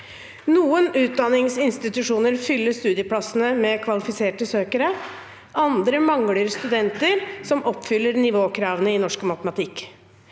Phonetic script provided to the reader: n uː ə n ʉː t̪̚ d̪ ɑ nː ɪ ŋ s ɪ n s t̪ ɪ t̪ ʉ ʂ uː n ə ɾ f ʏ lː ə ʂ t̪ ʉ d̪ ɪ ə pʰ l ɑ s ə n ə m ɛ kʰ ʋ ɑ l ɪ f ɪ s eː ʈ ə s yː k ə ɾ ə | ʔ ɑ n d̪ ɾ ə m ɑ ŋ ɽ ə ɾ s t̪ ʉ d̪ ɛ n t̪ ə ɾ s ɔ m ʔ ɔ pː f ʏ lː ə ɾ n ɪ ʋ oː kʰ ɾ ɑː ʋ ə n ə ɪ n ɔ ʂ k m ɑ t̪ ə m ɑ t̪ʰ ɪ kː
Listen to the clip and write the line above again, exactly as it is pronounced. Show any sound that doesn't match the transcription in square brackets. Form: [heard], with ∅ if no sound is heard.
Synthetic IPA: n uː ə n ʉː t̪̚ d̪ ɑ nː ɪ ŋ s ɪ n s t̪ ɪ t̪ ʉ ʂ uː n ə ɾ f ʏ lː ə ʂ t̪ [ʉː] d̪ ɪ ə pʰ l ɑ s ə n ə m ɛ kʰ ʋ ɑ l ɪ f ɪ s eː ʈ ə s [øː] k ə ɾ ə | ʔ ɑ n d̪ ɾ ə m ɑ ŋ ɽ ə ɾ s t̪ ʉ d̪ ɛ n t̪ ə ɾ s ɔ m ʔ ɔ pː f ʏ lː ə ɾ n ɪ ʋ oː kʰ ɾ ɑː ʋ ə n ə ɪ n ɔ ʂ k m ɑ t̪ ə m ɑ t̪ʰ ɪ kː